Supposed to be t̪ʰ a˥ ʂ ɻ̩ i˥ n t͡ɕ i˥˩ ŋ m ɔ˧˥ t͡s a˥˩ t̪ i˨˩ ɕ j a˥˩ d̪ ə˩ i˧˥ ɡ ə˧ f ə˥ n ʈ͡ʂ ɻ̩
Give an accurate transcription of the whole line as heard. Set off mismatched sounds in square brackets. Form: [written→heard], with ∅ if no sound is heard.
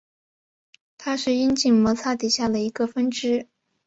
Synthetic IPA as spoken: t̪ʰ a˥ ʂ ɻ̩ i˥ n t͡ɕ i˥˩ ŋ m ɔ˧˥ [t͡s→t͡sʰ] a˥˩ t̪ i˨˩ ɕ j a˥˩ d̪ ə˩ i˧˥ ɡ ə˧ f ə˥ n ʈ͡ʂ ɻ̩